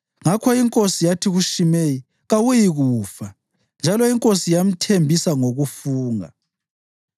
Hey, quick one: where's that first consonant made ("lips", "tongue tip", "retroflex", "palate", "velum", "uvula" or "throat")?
velum